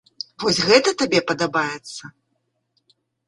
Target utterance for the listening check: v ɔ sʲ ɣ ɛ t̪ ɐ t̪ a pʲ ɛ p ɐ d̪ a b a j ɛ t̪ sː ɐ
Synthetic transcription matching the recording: v ɔ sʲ ɣ ɛ t̪ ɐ t̪ a bʲ ɛ p ɐ d̪ a b a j ɛ t̪ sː ɐ

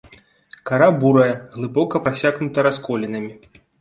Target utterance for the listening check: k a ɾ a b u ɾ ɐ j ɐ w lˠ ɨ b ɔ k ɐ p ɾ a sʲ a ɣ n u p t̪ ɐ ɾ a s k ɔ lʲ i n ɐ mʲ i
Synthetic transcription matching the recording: k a ɾ a b u ɾ ɐ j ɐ ɣ lˠ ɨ b ɔ k ɐ p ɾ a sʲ a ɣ n u t̪ ɐ ɾ a s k ɔ lʲ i n ɐ mʲ i

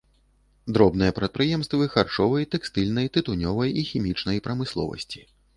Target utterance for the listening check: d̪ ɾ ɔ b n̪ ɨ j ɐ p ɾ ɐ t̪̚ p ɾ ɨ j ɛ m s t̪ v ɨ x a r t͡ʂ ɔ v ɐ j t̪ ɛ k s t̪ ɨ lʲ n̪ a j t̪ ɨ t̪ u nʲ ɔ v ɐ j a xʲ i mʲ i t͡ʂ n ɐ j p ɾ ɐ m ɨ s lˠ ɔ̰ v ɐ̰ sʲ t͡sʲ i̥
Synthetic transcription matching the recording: d̪ ɾ ɔ b n̪ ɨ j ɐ p ɾ ɐ t̪̚ p ɾ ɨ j ɛ m s t̪ v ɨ x a r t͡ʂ ɔ v ɐ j t̪ ɛ k s t̪ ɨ lʲ n̪ ɐ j t̪ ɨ t̪ u nʲ ɔ v ɐ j i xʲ i mʲ i t͡ʂ n ɐ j p ɾ ɐ m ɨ s lˠ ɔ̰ v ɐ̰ sʲ t͡sʲ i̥

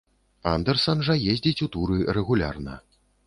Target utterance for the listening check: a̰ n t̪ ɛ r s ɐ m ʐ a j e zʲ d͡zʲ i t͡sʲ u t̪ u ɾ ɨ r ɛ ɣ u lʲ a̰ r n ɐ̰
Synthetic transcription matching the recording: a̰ n d̪ ɛ r s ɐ n ʐ ɐ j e zʲ d͡zʲ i t͡sʲ u t̪ u ɾ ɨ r ɛ ɣ u lʲ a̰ r n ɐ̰

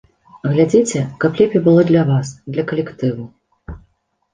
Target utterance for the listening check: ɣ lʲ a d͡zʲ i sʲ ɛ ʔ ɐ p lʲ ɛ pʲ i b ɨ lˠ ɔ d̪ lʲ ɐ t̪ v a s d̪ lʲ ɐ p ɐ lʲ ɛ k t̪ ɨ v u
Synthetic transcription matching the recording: ɣ lʲ a d͡zʲ i t͡sʲ ɛ k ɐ p lʲ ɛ pʲ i b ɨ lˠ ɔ d̪ lʲ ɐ v a s d̪ lʲ ɐ k ɐ lʲ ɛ k t̪ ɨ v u

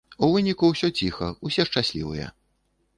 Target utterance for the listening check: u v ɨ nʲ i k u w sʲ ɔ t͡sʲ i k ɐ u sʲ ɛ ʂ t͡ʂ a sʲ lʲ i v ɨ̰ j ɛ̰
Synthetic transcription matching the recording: u v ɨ nʲ i k u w sʲ ɔ t͡sʲ i x ɐ u sʲ ɛ ʂ t͡ʂ a sʲ lʲ i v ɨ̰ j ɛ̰

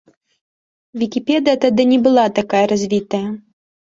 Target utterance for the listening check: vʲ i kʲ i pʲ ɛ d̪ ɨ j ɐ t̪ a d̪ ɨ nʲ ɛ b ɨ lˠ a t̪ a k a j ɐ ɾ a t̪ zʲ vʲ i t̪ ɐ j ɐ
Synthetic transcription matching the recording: vʲ i kʲ i pʲ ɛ d̪ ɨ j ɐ t̪ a d̪ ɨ nʲ ɛ b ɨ lˠ a t̪ a k a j ɐ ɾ a zʲ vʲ i t̪ ɐ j ɐ

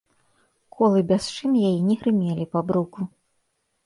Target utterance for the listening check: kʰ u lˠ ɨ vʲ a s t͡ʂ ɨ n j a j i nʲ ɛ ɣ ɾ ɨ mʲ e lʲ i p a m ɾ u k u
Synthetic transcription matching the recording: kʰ ɔ lˠ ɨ bʲ a s t͡ʂ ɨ n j a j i nʲ ɛ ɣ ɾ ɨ mʲ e lʲ i p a b ɾ u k u

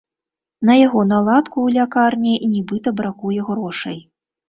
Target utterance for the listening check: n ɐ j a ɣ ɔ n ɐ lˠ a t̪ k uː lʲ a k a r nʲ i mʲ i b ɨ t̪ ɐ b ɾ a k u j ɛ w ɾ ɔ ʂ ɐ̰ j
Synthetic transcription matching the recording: n ɐ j a ɣ ɔ n a lˠ a t̪ k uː lʲ a k a r nʲ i nʲ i b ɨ t̪ ɐ b ɾ a k u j ɛ ɣ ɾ ɔ ʂ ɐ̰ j

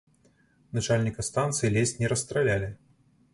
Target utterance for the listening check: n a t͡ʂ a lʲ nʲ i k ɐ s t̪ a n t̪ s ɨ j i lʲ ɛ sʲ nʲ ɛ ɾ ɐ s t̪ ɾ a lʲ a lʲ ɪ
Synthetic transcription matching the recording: n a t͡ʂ a lʲ nʲ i k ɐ s t̪ a n t̪ s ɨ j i lʲ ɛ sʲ nʲ ɛ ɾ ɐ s t̪ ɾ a lʲ a lʲ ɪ

